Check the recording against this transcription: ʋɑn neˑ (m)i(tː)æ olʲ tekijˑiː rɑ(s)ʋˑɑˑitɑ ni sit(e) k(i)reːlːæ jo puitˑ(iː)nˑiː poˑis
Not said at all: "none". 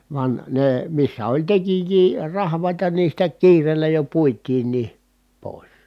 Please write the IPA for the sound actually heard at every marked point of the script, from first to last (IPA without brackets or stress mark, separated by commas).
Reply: m, sː, h, æ, iː, iː